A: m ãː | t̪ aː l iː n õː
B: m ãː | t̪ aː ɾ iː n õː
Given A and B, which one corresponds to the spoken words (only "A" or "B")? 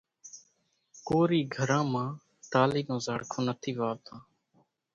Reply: A